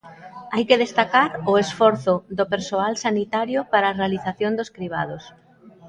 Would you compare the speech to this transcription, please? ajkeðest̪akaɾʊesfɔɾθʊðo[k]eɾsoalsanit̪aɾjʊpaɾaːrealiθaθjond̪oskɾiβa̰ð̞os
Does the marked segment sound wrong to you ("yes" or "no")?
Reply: yes